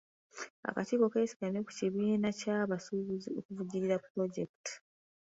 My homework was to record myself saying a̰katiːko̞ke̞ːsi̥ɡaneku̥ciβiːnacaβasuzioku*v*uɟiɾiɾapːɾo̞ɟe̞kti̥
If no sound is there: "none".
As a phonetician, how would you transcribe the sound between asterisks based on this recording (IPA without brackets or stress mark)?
v